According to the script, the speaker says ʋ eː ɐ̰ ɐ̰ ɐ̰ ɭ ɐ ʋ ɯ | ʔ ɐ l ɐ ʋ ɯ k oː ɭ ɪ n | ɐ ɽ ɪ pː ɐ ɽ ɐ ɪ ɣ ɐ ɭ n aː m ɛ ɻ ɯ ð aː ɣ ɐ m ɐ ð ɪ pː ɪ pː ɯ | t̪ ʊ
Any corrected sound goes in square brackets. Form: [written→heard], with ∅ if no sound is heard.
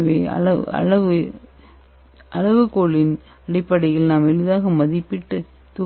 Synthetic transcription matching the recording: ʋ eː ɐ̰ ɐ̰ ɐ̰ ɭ ɐ ʋ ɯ | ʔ ɐ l ɐ ʋ ɯ k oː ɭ ɪ n | ɐ ɽ ɪ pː ɐ ɽ ɐ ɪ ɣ ɐ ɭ n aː m ɛ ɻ ɯ ð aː ɣ ɐ m ɐ ð ɪ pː ɪ [pː→ʈː] ɯ | t̪ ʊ